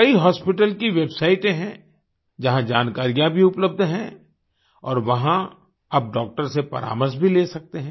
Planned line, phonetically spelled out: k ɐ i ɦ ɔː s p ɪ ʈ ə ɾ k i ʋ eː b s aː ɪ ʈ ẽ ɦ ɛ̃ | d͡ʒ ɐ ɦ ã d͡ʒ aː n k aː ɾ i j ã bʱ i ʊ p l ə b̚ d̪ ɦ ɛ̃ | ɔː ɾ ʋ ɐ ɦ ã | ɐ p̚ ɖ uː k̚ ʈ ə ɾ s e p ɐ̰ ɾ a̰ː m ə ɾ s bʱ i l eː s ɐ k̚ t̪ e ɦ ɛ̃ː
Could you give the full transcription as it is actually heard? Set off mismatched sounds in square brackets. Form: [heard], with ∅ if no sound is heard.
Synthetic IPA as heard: k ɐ i ɦ ɔː s p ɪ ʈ ə [l] k i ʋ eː b s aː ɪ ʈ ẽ ɦ ɛ̃ | d͡ʒ ɐ ɦ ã d͡ʒ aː n k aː ɾ i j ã bʱ i ʊ p l ə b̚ d̪ ɦ ɛ̃ | ɔː ɾ ʋ ɐ ɦ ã | ɐ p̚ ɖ [ɔː] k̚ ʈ ə ɾ s e p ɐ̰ ɾ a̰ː m ə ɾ s bʱ i l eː s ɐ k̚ t̪ e ɦ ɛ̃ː

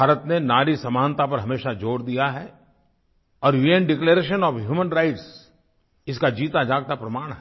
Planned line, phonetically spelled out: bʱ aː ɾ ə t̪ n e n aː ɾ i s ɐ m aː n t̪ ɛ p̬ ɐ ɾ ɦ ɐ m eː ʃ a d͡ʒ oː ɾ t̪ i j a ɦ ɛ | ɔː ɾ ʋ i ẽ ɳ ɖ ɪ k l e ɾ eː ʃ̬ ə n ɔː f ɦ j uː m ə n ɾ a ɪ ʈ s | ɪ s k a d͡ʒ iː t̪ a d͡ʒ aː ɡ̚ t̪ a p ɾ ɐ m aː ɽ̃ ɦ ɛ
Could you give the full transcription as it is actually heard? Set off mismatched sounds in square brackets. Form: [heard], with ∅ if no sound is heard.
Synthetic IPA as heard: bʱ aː ɾ ə t̪ n e n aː ɾ i s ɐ m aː n t̪ [a] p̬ ɐ ɾ ɦ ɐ m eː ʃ a d͡ʒ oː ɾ [d̪] i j a ɦ ɛ | ɔː ɾ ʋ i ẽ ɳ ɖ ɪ k l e ɾ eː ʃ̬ ə n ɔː f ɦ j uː m ə n ɾ a ɪ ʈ s | ɪ s k a d͡ʒ iː t̪ a d͡ʒ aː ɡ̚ t̪ a p ɾ ɐ m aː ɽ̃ ɦ ɛ

